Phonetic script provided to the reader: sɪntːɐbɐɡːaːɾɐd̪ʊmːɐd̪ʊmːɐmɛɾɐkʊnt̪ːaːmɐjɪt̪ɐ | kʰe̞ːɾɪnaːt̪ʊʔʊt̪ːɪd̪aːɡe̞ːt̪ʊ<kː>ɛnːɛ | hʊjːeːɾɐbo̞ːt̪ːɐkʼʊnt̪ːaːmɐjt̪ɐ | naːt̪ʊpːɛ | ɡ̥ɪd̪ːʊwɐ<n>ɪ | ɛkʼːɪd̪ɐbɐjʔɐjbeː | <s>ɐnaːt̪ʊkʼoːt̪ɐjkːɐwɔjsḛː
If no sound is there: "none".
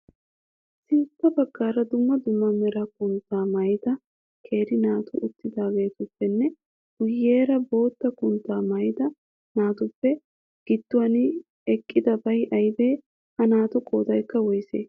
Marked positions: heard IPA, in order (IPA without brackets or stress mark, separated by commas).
pː, n, h